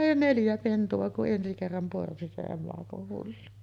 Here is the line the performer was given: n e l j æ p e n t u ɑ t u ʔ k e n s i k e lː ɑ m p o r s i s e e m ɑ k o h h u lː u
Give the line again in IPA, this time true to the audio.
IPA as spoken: n e l j æ p e n t u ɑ k u ʔ ʔ e n s i k e rː ɑ m p o r s i s e e m ɑ k o h h u lː u